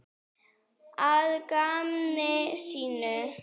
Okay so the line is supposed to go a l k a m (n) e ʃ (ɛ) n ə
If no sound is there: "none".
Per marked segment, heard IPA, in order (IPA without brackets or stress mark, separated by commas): n, i